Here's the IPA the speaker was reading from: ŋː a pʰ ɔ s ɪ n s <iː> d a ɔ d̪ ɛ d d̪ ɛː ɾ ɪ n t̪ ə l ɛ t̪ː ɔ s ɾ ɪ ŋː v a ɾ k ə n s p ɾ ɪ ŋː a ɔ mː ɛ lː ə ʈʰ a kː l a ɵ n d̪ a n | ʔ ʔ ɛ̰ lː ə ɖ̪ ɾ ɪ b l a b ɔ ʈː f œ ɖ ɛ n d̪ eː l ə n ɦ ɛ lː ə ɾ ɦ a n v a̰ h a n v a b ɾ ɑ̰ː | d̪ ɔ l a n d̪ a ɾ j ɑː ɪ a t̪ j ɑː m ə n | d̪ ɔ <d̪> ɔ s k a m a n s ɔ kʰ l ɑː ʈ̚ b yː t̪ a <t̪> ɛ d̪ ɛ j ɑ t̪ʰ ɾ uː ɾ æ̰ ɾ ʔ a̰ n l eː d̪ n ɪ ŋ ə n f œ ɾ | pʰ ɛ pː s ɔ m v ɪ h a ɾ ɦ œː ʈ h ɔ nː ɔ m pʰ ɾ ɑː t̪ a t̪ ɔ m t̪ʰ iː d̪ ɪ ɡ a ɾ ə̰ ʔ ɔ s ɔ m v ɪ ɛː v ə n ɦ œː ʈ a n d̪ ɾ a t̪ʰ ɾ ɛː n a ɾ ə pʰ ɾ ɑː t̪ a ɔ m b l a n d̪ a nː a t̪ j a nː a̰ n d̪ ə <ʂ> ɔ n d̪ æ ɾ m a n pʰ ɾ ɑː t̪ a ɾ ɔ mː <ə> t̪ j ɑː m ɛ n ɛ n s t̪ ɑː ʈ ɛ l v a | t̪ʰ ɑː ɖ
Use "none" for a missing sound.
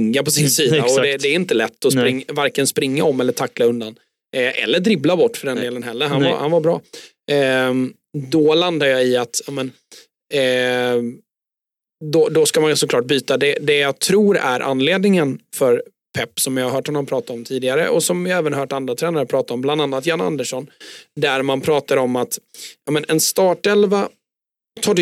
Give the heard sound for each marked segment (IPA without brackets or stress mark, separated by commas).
iː, d̪, d̪, ʂ, a